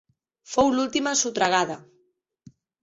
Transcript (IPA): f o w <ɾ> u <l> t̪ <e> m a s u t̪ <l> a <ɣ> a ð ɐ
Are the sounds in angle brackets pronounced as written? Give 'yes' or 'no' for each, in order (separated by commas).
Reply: no, yes, no, no, yes